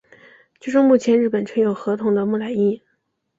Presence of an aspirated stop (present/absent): present